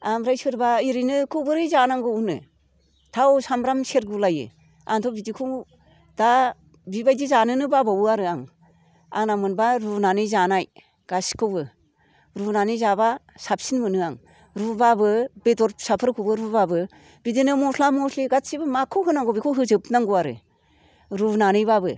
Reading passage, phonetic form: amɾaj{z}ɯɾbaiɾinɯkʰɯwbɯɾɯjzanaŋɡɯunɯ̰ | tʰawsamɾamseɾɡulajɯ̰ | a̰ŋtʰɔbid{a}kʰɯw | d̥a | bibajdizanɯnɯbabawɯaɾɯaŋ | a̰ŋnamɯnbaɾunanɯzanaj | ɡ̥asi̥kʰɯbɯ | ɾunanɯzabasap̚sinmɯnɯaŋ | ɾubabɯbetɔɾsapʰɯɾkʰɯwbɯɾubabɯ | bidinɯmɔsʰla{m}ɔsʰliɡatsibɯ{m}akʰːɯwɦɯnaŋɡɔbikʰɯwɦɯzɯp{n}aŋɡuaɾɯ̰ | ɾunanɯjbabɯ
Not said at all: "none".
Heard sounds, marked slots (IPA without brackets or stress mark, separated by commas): s, i, m, m, n